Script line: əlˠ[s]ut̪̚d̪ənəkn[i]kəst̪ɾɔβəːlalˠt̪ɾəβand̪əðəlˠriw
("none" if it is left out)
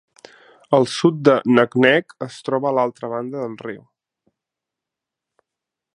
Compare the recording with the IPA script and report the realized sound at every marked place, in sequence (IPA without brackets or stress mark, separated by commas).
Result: s, ɛ